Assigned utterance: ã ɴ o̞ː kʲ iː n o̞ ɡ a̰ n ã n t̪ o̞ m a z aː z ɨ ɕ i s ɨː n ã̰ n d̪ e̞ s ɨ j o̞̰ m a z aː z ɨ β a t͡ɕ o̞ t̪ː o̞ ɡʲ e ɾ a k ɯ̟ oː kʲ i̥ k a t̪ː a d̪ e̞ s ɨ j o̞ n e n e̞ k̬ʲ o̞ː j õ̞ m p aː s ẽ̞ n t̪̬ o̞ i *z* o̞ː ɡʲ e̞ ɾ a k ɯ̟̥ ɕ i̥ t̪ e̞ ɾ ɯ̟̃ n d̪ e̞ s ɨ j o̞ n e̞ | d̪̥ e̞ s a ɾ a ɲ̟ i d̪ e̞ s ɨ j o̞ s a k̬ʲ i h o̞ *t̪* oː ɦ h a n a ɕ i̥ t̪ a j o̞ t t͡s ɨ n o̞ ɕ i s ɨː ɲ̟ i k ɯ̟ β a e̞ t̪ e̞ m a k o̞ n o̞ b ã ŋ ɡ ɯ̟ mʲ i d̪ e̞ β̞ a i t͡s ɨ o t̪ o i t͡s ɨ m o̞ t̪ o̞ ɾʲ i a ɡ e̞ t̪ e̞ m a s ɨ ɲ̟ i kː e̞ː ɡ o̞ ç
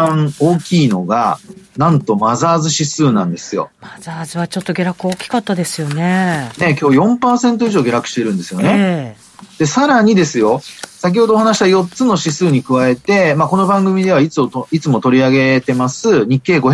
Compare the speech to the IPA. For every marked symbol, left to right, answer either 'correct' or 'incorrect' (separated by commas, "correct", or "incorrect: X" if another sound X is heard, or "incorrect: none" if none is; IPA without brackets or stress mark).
incorrect: ʑ, incorrect: d̪